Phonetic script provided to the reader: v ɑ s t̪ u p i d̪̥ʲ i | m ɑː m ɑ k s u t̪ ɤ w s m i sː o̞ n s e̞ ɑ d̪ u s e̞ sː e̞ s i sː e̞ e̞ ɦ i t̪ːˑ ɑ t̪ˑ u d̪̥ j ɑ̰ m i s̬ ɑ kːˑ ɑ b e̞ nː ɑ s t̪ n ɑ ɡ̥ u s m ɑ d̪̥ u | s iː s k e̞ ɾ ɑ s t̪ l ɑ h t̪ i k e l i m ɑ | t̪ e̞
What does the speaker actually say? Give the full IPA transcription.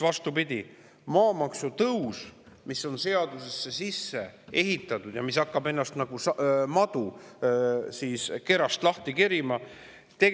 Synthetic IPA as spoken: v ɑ s t̪ u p i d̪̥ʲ i | m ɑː m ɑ k s u t̪ ɤ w s m i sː o̞ n s e̞ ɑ d̪ u s e̞ sː e̞ s i sː e̞ e̞ ɦ i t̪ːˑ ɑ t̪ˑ u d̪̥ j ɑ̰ m i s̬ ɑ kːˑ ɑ b e̞ nː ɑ s t̪ n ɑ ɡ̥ u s m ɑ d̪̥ u | s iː s k e̞ ɾ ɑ s t̪ l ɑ h t̪ i k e ɾ i m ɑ | t̪ e̞